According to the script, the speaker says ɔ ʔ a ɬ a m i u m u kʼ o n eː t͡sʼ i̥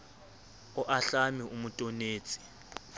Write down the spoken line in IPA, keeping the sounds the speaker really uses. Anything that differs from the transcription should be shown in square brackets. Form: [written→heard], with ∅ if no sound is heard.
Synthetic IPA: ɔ ʔ a ɬ a m i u m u [kʼ→tʼ] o n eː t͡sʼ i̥